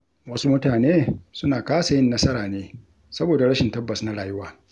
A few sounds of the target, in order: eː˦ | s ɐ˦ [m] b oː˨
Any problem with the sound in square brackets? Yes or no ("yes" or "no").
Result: yes